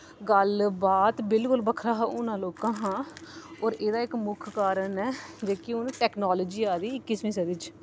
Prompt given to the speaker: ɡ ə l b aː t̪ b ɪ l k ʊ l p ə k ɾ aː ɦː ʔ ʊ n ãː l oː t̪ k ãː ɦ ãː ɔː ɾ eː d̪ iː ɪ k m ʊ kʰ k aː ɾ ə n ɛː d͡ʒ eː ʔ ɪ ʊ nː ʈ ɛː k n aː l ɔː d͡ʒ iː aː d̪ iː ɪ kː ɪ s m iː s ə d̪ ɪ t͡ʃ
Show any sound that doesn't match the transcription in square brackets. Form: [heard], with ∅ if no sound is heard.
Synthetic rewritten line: ɡ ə l b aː t̪ b ɪ l k ʊ l [b] ə [kʰ] ɾ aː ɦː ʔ ʊ n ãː l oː [∅] k ãː ɦ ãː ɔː ɾ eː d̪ [aː] ɪ k m ʊ kʰ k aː ɾ ə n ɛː d͡ʒ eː [k] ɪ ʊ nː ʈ ɛː k n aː l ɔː d͡ʒ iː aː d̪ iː ɪ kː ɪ s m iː s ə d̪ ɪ t͡ʃ